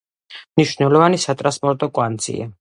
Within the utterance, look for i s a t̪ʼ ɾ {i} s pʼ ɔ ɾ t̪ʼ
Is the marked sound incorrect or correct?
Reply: incorrect